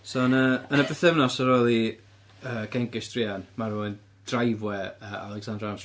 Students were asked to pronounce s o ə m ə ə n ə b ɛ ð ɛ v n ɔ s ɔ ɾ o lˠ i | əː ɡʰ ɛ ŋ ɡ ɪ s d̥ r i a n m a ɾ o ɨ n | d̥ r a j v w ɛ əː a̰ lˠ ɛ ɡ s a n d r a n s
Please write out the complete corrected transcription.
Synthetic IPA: s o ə n ə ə n ə b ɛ θ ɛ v n ɔ s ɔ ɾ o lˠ i | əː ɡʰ ɛ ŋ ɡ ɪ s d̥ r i a n m a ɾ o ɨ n | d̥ r a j v w ɛ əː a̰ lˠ ɛ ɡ s a n d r a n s